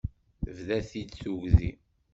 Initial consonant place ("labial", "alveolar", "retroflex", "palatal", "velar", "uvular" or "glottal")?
labial